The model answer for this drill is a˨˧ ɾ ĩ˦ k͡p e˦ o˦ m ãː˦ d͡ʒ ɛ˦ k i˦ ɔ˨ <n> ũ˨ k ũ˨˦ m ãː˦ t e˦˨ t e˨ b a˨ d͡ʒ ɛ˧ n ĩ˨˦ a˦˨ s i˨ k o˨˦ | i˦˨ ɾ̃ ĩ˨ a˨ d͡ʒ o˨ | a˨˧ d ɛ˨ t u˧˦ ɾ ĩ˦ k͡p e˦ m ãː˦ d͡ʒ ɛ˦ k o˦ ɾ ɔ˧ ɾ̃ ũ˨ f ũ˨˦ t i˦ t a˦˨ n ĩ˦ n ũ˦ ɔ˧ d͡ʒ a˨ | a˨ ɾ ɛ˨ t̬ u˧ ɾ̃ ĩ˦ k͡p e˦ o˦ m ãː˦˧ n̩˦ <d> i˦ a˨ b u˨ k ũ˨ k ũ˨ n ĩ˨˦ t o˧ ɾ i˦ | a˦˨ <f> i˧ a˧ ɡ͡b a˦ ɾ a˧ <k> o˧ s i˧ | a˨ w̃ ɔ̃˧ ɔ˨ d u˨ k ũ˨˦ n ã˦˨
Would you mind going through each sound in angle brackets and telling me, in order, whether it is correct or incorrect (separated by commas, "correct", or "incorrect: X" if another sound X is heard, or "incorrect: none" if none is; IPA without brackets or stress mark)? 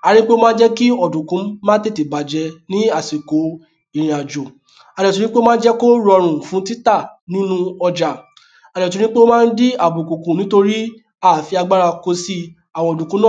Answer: incorrect: d, correct, correct, correct